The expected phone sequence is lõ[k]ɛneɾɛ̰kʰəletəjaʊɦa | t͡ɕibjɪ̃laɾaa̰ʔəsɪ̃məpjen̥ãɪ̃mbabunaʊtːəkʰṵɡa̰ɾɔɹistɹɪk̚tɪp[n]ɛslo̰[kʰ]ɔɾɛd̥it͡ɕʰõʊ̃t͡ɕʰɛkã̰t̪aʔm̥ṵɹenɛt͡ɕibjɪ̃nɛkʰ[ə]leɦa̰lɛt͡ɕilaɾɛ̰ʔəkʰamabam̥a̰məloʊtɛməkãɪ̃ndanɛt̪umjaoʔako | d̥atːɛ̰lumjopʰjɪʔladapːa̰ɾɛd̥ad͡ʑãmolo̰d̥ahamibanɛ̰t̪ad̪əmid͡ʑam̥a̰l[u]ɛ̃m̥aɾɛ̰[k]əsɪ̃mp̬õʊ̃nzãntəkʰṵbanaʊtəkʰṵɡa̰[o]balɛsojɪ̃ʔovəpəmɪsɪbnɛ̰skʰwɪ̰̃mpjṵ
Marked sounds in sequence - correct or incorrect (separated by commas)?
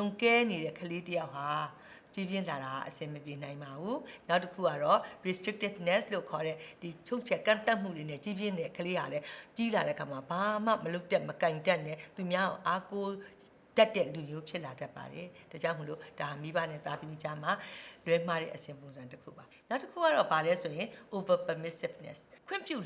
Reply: correct, correct, correct, correct, incorrect, incorrect, incorrect